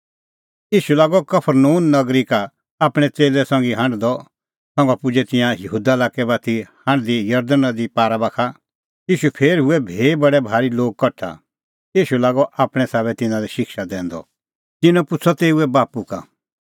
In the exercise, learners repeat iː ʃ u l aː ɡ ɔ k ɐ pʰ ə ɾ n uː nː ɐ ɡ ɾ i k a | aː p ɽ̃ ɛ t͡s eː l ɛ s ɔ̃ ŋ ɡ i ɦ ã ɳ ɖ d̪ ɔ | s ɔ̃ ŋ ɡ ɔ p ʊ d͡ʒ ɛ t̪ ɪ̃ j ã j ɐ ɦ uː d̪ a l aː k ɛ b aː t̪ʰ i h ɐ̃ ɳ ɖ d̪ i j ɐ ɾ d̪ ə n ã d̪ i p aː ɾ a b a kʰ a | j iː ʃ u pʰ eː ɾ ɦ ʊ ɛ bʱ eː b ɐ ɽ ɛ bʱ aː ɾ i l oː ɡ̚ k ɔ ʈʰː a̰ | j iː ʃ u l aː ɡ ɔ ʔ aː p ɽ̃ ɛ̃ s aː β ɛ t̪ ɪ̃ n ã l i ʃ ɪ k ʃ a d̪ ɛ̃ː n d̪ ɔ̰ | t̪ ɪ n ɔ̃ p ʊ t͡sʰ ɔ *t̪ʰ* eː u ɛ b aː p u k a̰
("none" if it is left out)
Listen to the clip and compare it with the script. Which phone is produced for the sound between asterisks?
t̪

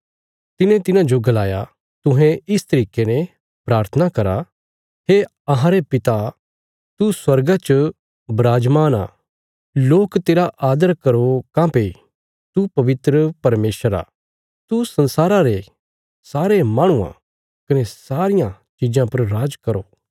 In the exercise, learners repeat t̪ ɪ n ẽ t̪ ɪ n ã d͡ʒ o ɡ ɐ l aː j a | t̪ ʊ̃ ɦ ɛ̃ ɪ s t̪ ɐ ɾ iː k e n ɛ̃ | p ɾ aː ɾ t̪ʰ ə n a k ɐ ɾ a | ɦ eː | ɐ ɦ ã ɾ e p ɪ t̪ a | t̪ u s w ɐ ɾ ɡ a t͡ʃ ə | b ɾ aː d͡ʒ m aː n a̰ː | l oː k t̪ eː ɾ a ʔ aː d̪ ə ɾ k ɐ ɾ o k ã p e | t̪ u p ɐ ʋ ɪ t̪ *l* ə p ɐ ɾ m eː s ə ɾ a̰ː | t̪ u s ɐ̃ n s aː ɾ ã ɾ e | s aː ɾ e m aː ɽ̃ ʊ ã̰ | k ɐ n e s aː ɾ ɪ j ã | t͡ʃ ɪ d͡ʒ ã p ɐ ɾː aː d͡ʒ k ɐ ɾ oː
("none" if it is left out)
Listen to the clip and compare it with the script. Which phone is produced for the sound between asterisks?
ɾ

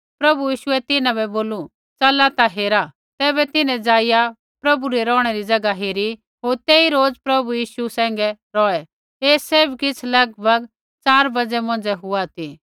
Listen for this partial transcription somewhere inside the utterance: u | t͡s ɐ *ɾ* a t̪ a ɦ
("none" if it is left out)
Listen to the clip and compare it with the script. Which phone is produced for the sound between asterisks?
l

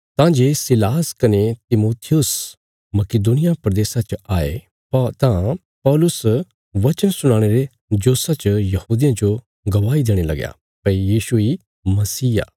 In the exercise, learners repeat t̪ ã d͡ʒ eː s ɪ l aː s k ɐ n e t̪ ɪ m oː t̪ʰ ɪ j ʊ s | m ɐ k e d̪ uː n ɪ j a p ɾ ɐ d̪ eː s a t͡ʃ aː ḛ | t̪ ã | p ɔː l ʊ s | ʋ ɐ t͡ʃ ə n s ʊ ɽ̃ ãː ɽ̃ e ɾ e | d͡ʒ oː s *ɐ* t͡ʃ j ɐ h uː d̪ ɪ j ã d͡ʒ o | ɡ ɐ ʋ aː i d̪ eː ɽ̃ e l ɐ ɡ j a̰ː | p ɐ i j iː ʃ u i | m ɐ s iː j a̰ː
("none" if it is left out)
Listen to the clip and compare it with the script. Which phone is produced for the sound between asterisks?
a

